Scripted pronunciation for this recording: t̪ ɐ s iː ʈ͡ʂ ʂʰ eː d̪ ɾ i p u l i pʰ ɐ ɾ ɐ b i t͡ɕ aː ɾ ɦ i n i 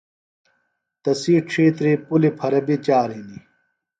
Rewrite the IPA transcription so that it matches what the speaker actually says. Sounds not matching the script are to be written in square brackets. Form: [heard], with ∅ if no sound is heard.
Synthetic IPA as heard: t̪ ɐ s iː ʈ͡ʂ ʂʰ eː [t̪] ɾ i p u l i pʰ ɐ ɾ ɐ b i t͡ɕ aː ɾ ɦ i n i